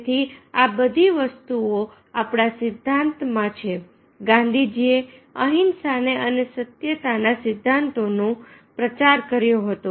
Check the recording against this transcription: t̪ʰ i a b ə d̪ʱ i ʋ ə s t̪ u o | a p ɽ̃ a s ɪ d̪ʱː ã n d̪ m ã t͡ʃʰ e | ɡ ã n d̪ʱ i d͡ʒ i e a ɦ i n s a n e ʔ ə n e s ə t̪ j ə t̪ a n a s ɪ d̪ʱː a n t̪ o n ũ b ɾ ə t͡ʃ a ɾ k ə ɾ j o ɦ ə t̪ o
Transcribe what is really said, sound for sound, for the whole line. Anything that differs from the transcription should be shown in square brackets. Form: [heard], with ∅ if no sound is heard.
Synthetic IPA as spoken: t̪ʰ i a b ə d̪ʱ i ʋ ə s t̪ u o | a p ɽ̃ a s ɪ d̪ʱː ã n [t̪] m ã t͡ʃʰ e | ɡ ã n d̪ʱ i d͡ʒ i e [ə] ɦ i n s a n e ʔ ə n e s ə t̪ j ə t̪ a n a s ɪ d̪ʱː a n t̪ o n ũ [p] ɾ ə t͡ʃ a ɾ k ə ɾ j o ɦ ə t̪ o